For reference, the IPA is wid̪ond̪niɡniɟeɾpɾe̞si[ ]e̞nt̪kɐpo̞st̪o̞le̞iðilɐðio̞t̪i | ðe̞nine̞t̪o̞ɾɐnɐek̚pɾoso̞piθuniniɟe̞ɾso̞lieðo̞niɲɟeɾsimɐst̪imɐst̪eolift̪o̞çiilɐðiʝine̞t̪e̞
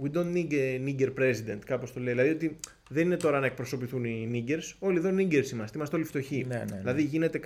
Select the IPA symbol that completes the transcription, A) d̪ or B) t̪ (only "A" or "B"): A